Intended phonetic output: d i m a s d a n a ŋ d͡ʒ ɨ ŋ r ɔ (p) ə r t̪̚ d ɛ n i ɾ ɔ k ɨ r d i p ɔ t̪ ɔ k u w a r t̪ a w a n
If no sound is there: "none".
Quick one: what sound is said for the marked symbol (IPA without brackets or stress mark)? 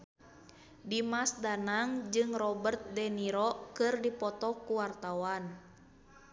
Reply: b